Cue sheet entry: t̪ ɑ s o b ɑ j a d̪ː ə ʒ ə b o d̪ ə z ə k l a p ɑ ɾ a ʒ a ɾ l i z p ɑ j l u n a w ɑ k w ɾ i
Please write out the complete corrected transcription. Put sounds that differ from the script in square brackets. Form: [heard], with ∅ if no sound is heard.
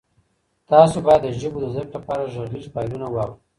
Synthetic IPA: t̪ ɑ s o b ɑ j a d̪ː ə ʒ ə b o d̪ ə z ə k l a p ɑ ɾ a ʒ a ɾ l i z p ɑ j l u n a w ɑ [∅] w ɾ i